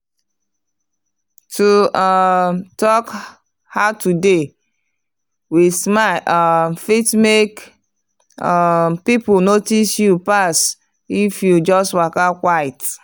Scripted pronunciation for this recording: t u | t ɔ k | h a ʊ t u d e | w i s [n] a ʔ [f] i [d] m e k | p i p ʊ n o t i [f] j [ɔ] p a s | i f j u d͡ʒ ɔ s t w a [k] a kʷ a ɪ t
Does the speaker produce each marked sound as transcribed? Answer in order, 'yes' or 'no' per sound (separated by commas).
no, yes, no, no, no, yes